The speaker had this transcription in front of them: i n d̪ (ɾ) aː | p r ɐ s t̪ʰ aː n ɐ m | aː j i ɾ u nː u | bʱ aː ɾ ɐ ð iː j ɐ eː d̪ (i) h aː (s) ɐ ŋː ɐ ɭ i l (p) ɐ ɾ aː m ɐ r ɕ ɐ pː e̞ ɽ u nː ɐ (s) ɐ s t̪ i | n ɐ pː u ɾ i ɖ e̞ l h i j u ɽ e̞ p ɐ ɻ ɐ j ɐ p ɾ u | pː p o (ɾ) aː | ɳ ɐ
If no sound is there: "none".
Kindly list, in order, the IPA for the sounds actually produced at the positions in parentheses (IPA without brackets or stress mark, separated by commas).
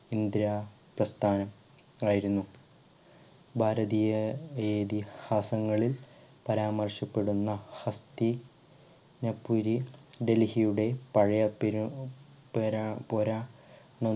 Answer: ɾ, i, s, p, h, ɾ